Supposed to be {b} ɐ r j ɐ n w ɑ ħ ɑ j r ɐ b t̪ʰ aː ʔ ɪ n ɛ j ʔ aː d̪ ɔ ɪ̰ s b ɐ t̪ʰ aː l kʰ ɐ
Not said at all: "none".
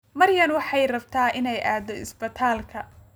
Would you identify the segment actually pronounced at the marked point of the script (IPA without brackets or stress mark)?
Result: m